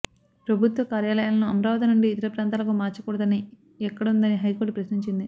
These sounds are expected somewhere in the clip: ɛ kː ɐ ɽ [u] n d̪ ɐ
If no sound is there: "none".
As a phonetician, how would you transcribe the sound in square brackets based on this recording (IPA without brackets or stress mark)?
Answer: u